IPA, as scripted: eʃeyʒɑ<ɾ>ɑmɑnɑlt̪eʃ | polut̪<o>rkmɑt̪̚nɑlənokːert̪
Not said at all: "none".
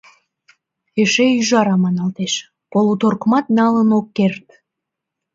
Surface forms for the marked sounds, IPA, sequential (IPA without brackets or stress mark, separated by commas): ɾ, o